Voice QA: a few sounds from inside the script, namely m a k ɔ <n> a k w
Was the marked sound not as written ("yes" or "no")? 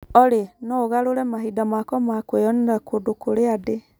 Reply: yes